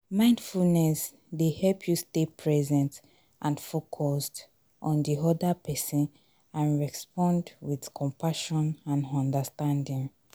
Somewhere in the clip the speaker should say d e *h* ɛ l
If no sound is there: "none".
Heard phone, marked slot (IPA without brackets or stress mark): h